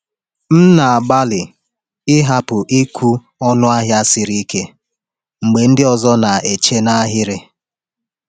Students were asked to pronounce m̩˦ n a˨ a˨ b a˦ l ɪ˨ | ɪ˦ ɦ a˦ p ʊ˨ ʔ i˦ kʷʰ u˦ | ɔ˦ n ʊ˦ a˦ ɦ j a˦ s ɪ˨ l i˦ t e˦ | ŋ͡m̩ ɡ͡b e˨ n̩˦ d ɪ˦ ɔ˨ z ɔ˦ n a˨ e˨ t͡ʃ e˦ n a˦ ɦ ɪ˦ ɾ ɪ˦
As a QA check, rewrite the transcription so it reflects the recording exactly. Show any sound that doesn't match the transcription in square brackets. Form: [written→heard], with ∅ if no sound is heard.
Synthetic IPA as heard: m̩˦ n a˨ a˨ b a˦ l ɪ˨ | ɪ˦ ɦ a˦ p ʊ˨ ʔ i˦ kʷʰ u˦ | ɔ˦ n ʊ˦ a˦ ɦ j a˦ s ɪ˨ [l→ɾ] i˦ [t→k] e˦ | ŋ͡m̩ ɡ͡b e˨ n̩˦ d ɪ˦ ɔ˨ z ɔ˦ n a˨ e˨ t͡ʃ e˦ n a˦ ɦ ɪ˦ ɾ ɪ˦